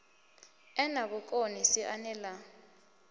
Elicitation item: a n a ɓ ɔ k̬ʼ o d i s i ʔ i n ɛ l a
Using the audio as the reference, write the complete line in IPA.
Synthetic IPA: ɛ n a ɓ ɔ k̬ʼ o n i s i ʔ a n ɛ l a